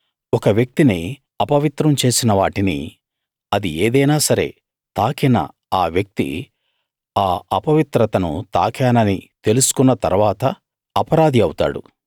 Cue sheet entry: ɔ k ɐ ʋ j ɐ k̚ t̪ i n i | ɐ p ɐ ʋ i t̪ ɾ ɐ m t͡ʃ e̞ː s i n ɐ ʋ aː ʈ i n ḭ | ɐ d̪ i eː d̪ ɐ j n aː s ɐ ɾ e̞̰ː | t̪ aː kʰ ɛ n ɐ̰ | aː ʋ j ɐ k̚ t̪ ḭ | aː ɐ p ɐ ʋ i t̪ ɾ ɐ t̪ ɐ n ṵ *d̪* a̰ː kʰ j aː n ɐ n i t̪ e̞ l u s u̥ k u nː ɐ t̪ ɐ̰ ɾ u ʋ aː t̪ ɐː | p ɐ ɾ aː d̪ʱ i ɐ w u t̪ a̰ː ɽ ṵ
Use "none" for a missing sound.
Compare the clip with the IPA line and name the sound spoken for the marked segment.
t̪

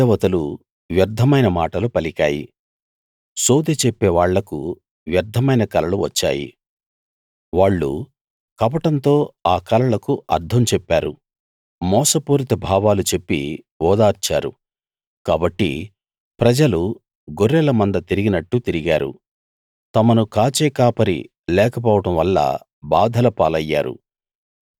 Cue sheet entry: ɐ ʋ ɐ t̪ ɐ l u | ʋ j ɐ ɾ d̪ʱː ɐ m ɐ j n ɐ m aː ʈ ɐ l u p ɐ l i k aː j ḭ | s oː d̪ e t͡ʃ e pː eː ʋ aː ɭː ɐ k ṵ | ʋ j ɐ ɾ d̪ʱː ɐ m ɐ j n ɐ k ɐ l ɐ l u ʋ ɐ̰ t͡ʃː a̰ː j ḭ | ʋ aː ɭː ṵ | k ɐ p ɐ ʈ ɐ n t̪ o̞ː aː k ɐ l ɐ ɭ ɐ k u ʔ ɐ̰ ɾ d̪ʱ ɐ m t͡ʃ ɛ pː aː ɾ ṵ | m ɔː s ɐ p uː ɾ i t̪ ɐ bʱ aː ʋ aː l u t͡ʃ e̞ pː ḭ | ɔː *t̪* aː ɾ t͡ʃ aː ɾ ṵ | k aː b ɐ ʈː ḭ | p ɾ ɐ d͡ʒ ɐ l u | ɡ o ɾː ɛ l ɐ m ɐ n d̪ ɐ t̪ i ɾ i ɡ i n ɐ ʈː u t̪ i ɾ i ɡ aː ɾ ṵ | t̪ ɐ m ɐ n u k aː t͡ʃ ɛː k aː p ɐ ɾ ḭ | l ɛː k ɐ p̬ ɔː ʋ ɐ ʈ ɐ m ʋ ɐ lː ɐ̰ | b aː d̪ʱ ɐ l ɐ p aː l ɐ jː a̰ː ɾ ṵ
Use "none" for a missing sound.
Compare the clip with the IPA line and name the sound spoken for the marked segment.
d̪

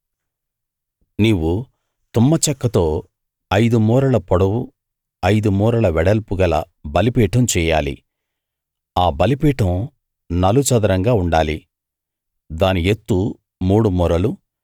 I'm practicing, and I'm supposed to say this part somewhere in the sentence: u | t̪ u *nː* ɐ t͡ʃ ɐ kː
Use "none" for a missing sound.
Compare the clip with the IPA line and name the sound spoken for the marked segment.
mː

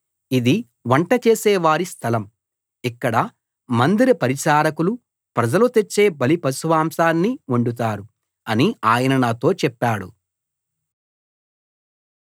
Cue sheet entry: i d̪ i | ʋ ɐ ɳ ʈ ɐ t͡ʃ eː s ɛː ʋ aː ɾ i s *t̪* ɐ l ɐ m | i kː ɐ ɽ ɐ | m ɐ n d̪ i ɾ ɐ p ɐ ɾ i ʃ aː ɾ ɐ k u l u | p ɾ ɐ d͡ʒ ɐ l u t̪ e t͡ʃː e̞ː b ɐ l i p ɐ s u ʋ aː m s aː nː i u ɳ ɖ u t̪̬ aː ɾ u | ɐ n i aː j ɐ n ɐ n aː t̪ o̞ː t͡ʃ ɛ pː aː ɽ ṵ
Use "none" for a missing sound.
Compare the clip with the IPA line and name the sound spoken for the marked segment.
t̪ʰ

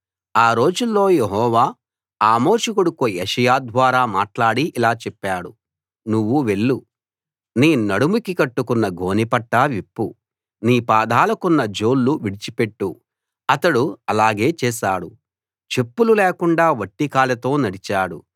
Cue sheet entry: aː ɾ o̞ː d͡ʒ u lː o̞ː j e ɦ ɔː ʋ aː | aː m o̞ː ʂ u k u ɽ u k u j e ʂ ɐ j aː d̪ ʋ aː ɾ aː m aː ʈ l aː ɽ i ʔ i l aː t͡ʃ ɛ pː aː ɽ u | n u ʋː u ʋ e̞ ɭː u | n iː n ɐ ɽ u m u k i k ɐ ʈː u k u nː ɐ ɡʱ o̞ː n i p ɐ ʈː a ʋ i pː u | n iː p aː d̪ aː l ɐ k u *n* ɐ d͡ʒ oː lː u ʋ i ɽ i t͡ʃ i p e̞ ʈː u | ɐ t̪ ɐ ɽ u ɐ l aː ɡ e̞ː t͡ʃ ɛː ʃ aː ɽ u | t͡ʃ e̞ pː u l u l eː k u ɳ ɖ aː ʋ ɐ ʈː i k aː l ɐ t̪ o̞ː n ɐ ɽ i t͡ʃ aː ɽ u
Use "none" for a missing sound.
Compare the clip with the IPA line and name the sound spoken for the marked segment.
nː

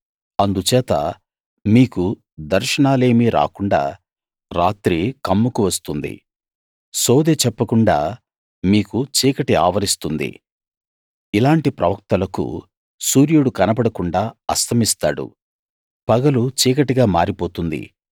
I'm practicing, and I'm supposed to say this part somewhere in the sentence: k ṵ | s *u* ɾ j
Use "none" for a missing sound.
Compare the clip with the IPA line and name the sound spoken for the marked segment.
uː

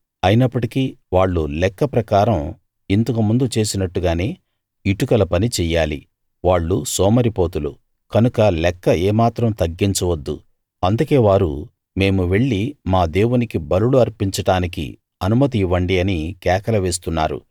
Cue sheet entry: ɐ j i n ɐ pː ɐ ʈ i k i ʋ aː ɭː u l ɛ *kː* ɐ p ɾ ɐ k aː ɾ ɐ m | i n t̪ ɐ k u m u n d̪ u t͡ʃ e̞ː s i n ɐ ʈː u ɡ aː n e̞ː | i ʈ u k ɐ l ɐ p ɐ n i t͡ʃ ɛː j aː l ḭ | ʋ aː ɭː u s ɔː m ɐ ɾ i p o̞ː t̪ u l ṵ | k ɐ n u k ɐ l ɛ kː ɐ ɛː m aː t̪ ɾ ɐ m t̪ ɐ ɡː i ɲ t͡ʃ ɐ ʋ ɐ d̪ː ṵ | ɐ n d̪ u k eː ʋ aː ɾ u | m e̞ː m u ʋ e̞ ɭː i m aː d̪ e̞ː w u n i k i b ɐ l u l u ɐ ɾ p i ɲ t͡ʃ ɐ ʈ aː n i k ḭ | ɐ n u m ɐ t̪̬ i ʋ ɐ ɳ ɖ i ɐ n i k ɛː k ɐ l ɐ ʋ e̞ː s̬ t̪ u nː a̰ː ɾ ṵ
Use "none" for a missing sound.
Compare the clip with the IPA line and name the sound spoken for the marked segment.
kː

